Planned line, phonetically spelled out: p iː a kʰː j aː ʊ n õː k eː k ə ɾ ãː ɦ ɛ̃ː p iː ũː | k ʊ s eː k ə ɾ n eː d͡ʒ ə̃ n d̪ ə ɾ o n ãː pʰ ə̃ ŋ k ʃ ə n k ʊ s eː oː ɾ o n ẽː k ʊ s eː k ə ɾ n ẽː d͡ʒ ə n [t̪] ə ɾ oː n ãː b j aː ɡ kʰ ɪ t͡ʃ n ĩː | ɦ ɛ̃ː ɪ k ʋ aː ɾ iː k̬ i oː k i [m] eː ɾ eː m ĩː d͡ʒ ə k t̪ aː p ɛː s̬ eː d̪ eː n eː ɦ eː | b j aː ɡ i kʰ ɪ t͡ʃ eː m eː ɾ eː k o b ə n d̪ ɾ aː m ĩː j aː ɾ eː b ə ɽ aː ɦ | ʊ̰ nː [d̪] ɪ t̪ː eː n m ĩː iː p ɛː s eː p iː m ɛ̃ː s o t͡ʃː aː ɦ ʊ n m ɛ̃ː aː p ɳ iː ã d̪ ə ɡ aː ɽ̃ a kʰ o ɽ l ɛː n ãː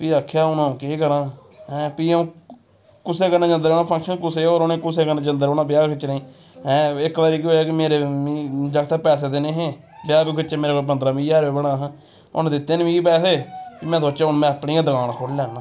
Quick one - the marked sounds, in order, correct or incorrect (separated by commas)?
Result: incorrect, correct, correct